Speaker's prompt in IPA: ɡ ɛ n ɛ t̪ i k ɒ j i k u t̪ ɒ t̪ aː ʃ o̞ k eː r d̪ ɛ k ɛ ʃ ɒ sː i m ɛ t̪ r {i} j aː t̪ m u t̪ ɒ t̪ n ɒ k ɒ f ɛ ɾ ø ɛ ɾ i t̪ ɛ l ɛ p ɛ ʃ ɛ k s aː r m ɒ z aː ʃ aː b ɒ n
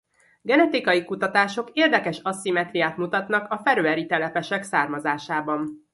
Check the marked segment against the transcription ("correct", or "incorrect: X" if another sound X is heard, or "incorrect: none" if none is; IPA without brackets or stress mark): correct